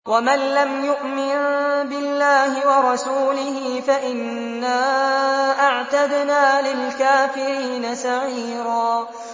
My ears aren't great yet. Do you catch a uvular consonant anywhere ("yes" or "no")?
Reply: no